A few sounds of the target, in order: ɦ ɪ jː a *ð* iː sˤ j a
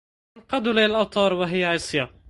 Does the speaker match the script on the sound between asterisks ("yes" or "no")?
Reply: no